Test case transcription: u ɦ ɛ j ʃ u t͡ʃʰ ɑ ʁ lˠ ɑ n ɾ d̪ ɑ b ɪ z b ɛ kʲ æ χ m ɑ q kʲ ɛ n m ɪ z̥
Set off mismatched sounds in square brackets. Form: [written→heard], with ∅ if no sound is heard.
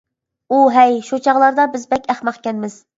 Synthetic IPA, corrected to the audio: u ɦ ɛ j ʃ u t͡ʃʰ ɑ ʁ lˠ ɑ [n→∅] ɾ d̪ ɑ b ɪ z b ɛ kʲ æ χ m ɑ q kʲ ɛ n m ɪ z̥